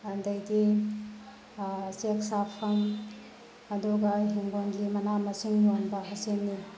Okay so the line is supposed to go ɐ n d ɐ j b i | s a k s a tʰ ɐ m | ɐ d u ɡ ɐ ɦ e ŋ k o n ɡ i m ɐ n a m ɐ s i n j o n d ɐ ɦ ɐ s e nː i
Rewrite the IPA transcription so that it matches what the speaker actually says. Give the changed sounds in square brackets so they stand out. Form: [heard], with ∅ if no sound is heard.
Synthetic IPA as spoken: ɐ n d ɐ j [ɡ] i | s [e] k s a [pʰ] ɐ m | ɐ d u ɡ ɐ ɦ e ŋ [ɡ] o n ɡ i m ɐ n a m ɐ s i [ŋ] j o n [b] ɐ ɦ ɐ s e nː i